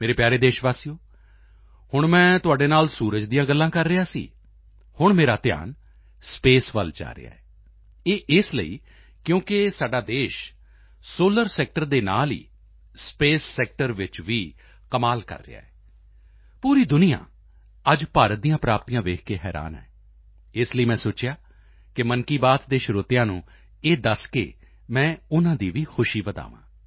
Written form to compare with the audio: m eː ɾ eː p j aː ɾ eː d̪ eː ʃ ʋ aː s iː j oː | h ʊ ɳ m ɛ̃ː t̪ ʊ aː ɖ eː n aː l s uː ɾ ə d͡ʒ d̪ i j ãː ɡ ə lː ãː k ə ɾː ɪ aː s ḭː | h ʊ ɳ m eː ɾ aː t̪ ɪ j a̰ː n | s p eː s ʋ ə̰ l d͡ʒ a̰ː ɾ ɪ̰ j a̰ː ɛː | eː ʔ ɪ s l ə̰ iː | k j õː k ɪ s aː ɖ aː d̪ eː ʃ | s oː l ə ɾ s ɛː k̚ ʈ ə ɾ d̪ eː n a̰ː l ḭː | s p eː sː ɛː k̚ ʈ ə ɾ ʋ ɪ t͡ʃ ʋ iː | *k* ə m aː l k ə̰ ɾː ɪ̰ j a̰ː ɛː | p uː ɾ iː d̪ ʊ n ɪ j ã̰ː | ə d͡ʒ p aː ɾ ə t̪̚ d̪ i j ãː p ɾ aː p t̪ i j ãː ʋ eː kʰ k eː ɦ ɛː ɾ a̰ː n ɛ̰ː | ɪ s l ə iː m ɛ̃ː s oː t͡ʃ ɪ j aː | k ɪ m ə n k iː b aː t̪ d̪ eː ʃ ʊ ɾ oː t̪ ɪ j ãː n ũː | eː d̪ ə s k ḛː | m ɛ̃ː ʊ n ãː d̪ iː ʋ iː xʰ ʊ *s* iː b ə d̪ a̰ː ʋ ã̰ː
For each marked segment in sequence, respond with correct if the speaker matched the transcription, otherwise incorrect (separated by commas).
correct, incorrect